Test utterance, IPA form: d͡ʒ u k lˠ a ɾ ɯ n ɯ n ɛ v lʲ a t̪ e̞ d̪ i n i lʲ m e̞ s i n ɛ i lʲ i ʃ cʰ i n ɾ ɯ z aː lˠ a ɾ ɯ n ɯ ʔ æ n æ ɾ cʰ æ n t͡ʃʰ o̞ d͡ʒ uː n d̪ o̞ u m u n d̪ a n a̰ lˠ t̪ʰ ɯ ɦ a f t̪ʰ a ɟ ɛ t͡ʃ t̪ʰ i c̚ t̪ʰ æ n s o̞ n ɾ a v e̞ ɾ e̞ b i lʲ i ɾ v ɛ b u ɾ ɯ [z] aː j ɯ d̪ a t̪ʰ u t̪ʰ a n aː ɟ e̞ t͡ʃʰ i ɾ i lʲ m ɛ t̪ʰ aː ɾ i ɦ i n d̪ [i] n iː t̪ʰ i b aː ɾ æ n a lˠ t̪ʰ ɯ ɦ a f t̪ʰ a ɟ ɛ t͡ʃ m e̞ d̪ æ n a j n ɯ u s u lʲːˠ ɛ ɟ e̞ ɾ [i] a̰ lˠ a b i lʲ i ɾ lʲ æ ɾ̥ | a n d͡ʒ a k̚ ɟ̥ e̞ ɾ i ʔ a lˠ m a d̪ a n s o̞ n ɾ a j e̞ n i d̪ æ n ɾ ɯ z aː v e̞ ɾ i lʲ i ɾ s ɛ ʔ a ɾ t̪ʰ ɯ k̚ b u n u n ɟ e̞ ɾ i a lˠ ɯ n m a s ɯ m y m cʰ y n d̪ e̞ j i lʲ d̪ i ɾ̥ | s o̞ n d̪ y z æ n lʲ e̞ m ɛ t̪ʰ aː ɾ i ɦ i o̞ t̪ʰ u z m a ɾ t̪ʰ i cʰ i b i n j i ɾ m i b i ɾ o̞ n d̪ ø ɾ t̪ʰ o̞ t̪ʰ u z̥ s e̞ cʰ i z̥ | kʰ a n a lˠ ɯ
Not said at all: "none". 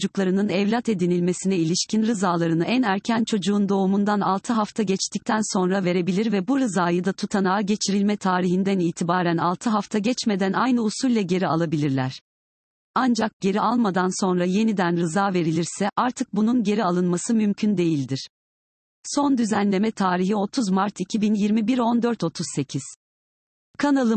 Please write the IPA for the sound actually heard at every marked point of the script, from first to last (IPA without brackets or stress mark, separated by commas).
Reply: z, æ, i